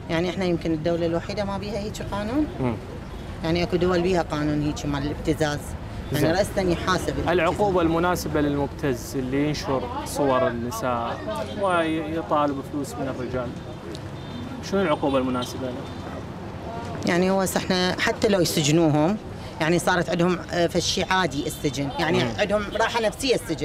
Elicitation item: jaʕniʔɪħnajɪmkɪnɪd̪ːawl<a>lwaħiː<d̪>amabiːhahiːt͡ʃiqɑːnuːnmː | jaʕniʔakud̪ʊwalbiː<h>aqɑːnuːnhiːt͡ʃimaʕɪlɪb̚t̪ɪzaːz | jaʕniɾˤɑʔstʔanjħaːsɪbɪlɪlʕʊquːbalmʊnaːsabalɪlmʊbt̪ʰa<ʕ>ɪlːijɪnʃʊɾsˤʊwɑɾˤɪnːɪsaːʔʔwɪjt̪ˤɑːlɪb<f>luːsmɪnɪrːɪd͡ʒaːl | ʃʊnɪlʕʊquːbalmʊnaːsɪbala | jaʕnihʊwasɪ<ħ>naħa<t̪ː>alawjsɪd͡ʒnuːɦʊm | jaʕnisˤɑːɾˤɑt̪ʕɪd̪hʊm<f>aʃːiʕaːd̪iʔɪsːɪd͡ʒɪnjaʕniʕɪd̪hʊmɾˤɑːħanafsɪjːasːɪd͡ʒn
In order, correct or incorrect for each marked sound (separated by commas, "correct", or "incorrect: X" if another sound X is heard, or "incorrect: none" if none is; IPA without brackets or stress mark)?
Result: correct, correct, correct, incorrect: z, correct, correct, correct, correct